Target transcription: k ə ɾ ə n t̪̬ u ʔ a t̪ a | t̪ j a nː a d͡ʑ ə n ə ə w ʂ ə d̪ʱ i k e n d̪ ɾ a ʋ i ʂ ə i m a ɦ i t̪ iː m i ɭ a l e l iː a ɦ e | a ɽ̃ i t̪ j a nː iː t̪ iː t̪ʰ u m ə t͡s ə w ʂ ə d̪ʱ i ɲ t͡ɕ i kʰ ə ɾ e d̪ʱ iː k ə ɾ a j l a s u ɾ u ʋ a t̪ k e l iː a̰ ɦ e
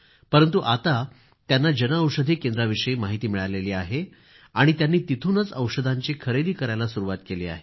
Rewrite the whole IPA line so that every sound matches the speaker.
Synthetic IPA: p ə ɾ ə n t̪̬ u ʔ a t̪ a | t̪ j a nː a d͡ʑ ə n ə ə w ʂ ə d̪ʱ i k e n d̪ ɾ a ʋ i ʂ ə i m a ɦ i t̪ iː m i ɭ a l e l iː a ɦ e | a ɽ̃ i t̪ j a nː iː t̪ i t̪ʰ u n ə t͡s ə w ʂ ə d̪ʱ a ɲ t͡ɕ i kʰ ə ɾ e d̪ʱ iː k ə ɾ a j l a s u ɾ u ʋ a t̪ k e l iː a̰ ɦ e

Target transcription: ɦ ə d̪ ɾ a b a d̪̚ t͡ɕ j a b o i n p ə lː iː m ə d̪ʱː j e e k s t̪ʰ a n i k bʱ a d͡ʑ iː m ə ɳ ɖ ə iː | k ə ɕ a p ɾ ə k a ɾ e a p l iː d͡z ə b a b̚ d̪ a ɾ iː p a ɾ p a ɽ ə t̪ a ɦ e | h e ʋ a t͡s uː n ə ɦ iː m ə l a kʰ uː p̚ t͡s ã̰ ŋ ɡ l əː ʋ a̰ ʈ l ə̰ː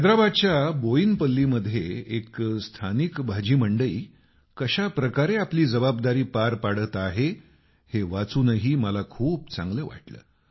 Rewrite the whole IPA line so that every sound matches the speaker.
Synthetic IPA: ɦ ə d̪ ɾ a b a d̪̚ t͡ɕ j a b o i n p ə lː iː m ə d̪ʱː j e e k s t̪ʰ a n i k bʱ a d͡ʑ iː m ə ɳ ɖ ə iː | k ə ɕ a p ɾ ə k a ɾ e a p l iː d͡z ə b a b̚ d̪ a ɾ iː p a ɾ p a ɽ ə t̪ a ɦ e | h e ʋ a t͡s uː n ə ɦ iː m ə l a kʰ uː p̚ t͡s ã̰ ŋ ɡ l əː ʋ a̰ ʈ l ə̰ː

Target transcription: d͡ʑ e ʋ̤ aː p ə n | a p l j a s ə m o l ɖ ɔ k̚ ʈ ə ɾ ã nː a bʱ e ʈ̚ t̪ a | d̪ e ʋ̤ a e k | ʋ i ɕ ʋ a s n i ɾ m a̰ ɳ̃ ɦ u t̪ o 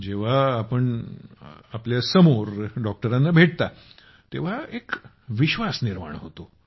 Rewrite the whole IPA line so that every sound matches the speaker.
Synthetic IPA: d͡ʑ e ʋ̤ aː p ə ɳ | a p l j a s ə m o ɾ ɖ ɔ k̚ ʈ ə ɾ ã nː a bʱ e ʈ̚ t̪ a | t̪ e ʋ̤ a e k | ʋ i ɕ ʋ a s n i ɾ m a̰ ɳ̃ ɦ o t̪ o

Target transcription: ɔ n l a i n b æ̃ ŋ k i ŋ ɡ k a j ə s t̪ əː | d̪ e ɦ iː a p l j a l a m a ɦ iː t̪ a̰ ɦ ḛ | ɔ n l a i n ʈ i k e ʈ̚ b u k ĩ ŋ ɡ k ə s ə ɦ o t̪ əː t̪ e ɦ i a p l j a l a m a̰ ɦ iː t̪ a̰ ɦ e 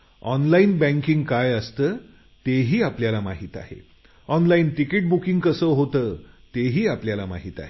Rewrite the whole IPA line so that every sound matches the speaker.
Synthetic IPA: ɔ n l a i n b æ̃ ŋ k i ŋ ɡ k a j ə s t̪ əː | t̪ e ɦ iː a p l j a l a m a ɦ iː t̪ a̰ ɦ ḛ | ɔ n l a i n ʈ i k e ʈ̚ b u k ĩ ŋ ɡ k ə s ə ɦ o t̪ əː t̪ e ɦ iː a p l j a l a m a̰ ɦ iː t̪ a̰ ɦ e

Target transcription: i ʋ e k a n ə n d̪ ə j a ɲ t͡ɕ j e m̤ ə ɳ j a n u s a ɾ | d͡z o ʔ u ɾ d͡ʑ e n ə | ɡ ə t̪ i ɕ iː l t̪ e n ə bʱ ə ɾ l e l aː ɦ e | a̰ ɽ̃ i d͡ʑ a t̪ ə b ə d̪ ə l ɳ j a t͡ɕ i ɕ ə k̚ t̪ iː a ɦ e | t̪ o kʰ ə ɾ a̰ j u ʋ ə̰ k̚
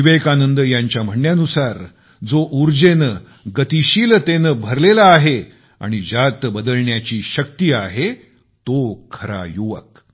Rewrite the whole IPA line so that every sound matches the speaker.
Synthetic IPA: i ʋ e k a n ə n d̪ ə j a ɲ t͡ɕ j a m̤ ə ɳ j a n u s a ɾ | d͡z o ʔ u ɾ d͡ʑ e n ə | ɡ ə t̪ i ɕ iː l t̪ e n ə bʱ ə ɾ l e l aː ɦ e | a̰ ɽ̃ i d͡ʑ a t̪ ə b ə d̪ ə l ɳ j a t͡ɕ iː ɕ ə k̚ t̪ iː a ɦ e | t̪ o kʰ ə ɾ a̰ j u ʋ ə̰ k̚

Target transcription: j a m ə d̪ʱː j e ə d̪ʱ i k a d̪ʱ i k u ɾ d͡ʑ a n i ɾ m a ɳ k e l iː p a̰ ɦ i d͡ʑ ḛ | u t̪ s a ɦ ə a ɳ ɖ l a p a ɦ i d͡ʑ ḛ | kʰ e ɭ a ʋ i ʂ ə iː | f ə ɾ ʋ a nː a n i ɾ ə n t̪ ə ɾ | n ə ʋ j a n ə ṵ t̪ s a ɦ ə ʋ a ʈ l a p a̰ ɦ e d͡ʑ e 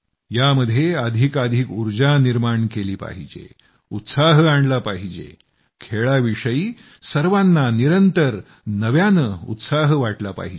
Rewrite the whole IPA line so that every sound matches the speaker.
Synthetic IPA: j a m ə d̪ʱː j e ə d̪ʱ i k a d̪ʱ i k u ɾ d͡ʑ a n i ɾ m a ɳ k e l iː p a̰ ɦ i d͡ʑ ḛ | u t̪ s a ɦ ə a ɳ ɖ l a p a ɦ i d͡ʑ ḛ | kʰ e ɭ a ʋ i ʂ ə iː | s ə ɾ ʋ a nː a n i ɾ ə n t̪ ə ɾ | n ə ʋ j a n ə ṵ t̪ s a ɦ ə ʋ a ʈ l a p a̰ ɦ i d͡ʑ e

